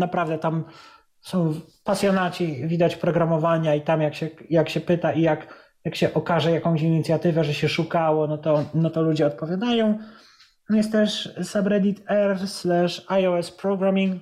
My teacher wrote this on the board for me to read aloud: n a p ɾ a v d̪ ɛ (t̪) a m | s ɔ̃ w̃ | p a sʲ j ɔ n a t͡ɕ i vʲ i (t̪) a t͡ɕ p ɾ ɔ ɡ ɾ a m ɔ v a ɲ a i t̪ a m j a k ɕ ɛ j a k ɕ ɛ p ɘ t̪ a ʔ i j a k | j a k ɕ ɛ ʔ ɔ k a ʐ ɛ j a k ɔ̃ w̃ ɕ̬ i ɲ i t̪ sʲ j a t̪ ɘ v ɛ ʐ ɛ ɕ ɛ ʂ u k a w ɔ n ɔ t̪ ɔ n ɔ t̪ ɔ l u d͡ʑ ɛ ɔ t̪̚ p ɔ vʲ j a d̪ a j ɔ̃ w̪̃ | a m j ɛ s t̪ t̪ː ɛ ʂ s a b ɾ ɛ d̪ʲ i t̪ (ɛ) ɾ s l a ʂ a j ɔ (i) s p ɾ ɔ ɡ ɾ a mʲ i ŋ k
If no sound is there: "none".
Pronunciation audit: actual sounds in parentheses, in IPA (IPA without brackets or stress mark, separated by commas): t̪, d̪, ɛ, ɛ